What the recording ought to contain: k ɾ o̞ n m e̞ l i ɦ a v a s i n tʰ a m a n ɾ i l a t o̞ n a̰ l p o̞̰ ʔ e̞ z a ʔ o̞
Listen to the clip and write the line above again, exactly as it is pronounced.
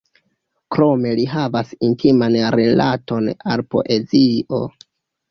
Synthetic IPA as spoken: k ɾ o̞ m e̞ l i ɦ a v a s i n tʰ i m a n ɾ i l a t o̞ n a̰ l p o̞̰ ʔ e̞ z i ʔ o̞